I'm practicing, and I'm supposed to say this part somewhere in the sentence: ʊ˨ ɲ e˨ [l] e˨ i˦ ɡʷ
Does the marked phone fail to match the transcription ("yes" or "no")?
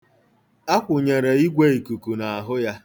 yes